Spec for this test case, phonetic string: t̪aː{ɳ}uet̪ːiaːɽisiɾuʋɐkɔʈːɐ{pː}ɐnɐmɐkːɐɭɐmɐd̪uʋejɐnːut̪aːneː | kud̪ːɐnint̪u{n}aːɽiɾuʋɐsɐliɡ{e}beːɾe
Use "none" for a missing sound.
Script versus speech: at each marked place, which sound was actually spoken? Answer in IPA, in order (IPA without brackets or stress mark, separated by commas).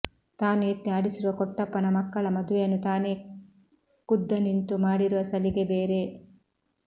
n, pː, m, e